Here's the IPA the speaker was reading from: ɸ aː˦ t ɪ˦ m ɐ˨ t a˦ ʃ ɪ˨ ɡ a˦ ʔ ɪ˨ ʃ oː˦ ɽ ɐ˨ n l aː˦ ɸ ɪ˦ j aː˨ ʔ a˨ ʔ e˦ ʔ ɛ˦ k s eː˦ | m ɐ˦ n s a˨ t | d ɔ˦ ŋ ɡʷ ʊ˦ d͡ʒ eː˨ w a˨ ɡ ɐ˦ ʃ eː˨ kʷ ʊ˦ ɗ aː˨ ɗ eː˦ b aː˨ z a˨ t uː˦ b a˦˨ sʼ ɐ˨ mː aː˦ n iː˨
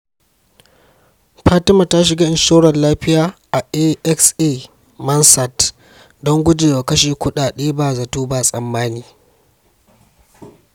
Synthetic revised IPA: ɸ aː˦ t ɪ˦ m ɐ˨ t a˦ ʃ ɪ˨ ɡ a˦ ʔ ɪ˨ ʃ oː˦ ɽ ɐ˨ n l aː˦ ɸ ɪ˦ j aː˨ ʔ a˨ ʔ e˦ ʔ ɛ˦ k s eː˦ | m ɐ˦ n s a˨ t | d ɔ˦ ŋ ɡʷ ʊ˦ d͡ʒ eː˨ w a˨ k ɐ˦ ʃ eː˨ kʷ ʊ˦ ɗ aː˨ ɗ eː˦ b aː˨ z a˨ t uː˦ b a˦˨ sʼ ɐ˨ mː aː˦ n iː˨